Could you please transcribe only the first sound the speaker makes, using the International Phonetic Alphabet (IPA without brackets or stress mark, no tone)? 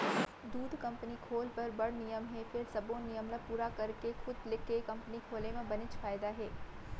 d̪